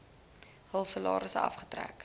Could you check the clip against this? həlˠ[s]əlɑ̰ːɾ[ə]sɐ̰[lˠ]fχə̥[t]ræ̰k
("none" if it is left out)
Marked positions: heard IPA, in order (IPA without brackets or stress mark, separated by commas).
s, ə, none, t